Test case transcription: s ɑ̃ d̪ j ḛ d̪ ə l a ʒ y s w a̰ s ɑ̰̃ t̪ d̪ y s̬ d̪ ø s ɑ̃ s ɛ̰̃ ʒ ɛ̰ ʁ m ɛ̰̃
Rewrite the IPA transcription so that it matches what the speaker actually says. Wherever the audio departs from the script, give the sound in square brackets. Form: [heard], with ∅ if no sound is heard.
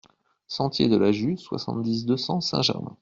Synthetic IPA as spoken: s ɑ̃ [t̪] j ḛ d̪ ə l a ʒ y s w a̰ s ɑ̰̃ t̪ d̪ [i] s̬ d̪ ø s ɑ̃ s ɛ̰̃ ʒ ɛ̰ ʁ m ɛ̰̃